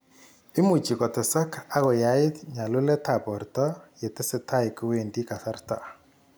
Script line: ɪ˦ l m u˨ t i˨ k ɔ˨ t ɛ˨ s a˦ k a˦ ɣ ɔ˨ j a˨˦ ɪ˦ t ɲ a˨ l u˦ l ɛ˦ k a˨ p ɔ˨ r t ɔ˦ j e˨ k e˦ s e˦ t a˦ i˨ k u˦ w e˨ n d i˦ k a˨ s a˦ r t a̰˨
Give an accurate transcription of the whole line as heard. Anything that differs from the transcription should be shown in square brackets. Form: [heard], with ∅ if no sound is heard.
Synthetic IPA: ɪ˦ [∅] m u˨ [t͡ʃ] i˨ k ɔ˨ t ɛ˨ s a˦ k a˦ ɣ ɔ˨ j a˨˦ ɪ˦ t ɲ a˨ l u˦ l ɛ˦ [t] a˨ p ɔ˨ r t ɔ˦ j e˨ [t] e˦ s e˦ t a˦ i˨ k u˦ w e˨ n d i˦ k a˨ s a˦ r t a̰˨